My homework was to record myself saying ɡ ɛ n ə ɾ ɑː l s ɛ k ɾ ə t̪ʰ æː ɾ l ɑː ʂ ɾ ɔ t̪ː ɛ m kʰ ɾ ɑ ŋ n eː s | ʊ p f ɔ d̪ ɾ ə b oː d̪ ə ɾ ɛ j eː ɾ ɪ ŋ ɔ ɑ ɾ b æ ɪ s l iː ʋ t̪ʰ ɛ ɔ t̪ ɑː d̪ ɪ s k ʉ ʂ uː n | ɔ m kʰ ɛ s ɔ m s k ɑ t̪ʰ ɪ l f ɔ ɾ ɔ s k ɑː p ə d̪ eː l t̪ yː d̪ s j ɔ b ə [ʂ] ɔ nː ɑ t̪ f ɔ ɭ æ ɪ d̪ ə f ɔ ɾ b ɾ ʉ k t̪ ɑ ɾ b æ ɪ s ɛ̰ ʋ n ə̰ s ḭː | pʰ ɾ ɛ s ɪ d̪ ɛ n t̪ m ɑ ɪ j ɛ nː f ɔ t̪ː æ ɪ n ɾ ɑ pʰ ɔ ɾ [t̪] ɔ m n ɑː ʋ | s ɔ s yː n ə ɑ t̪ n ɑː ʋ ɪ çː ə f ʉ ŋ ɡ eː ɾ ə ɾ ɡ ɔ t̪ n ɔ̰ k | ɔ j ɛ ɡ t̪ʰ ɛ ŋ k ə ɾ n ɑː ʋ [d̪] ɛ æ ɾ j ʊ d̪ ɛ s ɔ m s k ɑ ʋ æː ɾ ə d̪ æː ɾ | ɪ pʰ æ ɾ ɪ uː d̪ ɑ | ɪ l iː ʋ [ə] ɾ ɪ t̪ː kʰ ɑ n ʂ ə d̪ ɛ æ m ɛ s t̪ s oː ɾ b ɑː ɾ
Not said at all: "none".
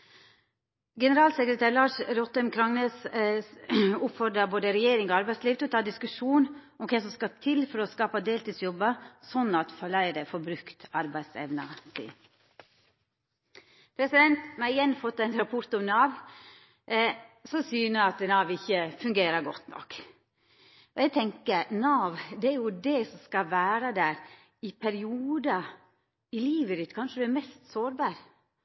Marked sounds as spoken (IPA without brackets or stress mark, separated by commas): s, t̪, d̪, ə